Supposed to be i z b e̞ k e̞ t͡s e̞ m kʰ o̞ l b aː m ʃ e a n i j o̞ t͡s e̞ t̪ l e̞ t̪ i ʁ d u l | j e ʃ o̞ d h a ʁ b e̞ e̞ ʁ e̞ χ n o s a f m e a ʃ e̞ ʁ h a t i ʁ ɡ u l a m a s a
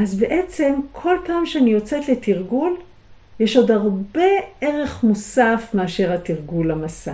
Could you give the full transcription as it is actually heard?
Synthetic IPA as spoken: a z b e̞ ʔ e̞ t͡s e̞ m kʰ o̞ l p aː m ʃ e a n i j o̞ t͡s e̞ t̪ l e̞ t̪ i ʁ ɡ u l | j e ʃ o̞ d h a ʁ b e̞ e̞ ʁ e̞ χ m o s a f m e a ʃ e̞ ʁ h a t i ʁ ɡ u l a m a s a